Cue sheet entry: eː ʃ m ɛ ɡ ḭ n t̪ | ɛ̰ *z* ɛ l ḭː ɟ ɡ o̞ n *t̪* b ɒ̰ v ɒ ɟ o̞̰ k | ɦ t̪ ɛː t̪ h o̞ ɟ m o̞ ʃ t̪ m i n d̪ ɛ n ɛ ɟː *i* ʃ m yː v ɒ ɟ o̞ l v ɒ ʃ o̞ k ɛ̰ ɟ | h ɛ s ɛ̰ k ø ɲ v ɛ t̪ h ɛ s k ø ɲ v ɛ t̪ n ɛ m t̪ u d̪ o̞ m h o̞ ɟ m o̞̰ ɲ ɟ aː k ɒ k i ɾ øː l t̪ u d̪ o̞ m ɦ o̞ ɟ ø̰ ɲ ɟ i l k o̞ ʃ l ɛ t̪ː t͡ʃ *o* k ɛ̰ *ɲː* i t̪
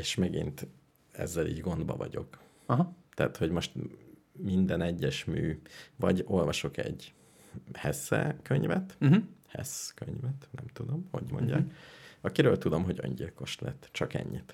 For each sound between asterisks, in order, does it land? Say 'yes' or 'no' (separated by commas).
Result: no, no, no, no, yes